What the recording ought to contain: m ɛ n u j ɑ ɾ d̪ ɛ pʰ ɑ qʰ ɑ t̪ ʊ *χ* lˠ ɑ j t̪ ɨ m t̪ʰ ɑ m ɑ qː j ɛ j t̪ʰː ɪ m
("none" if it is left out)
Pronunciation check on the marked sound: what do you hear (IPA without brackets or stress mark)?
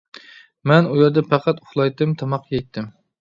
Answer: χ